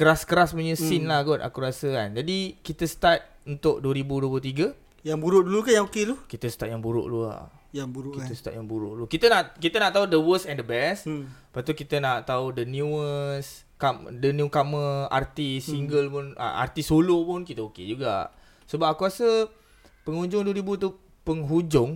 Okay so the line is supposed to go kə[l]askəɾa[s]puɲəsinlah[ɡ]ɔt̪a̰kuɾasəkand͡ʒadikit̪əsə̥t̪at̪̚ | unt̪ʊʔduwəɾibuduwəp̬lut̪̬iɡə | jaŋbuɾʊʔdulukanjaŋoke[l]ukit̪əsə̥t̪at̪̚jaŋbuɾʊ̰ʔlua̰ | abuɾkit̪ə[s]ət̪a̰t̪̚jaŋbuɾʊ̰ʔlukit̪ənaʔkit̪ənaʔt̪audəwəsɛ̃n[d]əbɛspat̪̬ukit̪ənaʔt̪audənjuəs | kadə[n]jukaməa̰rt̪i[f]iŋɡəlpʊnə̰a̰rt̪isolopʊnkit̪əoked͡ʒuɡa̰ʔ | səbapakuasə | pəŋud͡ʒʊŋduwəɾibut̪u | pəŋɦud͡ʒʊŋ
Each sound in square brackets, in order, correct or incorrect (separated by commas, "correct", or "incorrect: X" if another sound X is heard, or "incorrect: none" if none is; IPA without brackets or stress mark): incorrect: ɾ, correct, correct, correct, correct, correct, correct, incorrect: s